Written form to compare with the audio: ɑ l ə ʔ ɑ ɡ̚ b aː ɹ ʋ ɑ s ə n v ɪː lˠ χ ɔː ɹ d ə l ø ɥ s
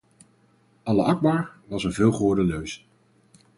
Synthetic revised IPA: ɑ l ə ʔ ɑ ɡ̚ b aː ɹ ʋ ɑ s ə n v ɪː lˠ χ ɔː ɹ d ə l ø ɥ s